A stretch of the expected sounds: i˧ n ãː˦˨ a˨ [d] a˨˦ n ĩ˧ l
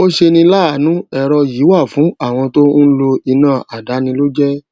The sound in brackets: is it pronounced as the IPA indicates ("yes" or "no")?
yes